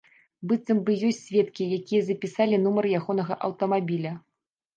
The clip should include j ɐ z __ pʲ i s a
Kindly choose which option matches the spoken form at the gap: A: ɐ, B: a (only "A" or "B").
A